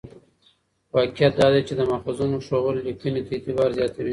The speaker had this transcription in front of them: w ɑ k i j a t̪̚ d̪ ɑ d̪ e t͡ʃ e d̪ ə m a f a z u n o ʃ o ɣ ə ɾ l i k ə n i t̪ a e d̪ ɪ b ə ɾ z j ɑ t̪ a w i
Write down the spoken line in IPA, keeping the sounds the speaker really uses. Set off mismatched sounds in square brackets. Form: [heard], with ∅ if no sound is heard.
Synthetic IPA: w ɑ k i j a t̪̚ d̪ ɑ d̪ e t͡ʃ e d̪ ə m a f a z u n o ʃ o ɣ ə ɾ l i k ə n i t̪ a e [t̪] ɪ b [ɑ] ɾ z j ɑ t̪ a w i